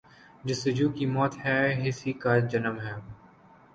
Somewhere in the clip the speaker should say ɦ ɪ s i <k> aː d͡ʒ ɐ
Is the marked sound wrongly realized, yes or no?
no